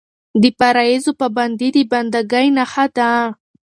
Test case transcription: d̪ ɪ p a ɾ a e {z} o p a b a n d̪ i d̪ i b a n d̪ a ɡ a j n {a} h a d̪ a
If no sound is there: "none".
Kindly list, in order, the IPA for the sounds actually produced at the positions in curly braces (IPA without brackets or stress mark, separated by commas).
z, a